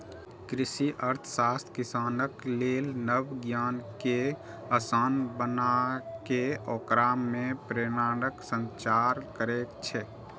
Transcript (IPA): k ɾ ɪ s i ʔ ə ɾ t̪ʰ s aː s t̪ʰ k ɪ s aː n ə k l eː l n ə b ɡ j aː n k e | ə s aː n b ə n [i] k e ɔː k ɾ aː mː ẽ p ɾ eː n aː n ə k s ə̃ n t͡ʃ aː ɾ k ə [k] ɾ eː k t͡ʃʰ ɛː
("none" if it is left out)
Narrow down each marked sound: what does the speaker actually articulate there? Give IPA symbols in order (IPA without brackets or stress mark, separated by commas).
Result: a, none